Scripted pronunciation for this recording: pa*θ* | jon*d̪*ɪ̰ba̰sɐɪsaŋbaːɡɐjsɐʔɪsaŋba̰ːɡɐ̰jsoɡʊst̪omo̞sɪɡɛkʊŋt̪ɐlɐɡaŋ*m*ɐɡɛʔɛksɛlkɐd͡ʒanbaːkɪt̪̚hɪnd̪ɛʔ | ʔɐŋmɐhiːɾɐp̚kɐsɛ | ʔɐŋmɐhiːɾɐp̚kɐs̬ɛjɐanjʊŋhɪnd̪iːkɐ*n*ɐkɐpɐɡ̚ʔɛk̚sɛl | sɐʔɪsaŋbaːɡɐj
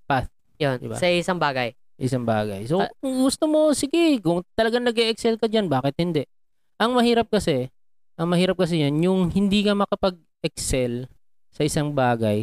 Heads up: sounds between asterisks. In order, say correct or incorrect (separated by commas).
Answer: correct, correct, incorrect, incorrect